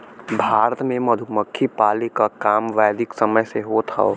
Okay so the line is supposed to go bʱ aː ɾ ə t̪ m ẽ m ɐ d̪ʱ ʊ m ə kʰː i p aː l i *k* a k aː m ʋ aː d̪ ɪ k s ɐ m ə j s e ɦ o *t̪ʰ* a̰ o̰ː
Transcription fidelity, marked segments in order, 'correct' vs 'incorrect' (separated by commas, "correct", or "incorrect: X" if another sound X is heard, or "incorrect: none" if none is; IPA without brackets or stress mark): correct, correct